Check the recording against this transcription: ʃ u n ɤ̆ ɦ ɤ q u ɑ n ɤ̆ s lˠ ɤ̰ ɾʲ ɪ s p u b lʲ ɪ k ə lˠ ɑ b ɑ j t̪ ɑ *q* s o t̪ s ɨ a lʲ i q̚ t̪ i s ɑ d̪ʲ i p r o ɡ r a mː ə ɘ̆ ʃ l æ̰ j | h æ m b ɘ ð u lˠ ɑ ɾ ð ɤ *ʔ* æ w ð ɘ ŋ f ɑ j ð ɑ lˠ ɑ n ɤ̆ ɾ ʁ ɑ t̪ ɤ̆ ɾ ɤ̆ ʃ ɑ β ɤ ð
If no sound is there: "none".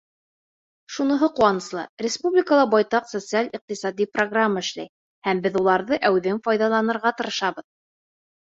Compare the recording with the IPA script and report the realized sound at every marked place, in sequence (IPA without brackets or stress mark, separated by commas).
q, ʔ